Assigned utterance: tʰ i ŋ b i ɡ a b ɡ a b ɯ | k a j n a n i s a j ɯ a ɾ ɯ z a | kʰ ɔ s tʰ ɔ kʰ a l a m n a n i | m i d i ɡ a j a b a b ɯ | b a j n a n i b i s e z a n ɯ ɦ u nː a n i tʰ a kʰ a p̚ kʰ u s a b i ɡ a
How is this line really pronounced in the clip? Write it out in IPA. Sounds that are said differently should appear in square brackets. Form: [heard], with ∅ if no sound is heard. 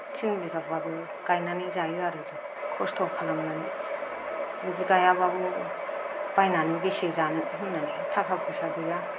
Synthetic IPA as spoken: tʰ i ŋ b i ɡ a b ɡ a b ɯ | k a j n a n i [z] a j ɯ a ɾ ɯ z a | kʰ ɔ s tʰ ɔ kʰ a l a m n a n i | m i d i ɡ a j a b a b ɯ | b a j n a n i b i s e z a n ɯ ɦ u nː a n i tʰ a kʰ a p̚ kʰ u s a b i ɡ a